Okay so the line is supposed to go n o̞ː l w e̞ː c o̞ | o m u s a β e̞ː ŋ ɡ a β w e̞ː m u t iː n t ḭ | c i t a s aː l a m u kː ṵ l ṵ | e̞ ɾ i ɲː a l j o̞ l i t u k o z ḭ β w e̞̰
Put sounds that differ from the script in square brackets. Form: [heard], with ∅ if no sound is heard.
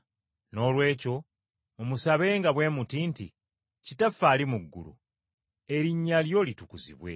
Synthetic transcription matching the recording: n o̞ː l w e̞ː c o̞ | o m u s a β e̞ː ŋ ɡ a β w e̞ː m u t iː n t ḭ | c i t a [f] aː l [i] m u [ɡː] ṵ l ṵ | e̞ ɾ i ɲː a l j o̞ l i t u k [u] z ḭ β w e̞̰

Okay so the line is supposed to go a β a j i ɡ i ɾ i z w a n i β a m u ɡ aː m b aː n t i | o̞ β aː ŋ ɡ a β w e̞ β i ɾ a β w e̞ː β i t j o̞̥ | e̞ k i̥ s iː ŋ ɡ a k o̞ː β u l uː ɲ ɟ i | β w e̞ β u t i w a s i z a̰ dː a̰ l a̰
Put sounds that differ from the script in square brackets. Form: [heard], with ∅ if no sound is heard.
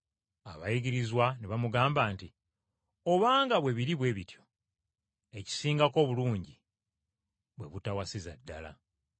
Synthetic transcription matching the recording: a β a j i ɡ i ɾ i z w a n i β a m u ɡ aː m b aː n t i | o̞ β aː ŋ ɡ a β w e̞ β i ɾ [i] β w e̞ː β i t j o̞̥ | e̞ [c] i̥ s iː ŋ ɡ a k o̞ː β u l uː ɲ ɟ i | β w e̞ β u t [a] w a s i z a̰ dː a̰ l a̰

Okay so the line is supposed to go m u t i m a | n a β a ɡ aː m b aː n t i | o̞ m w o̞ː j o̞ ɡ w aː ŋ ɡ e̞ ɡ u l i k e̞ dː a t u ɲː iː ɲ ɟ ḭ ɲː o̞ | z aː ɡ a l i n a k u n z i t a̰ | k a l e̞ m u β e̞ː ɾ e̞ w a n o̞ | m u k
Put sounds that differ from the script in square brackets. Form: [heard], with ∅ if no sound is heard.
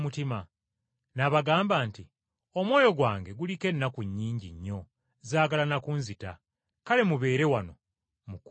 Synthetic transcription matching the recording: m u t i m a | n a β a ɡ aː m b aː n t i | o̞ m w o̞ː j o̞ ɡ w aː ŋ ɡ e̞ ɡ u l i k e̞ [nː] a [k] u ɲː iː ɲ ɟ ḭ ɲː o̞ | z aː ɡ a l [a] n a k u n z i t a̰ | k a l e̞ m u β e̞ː ɾ e̞ w a n o̞ | m u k

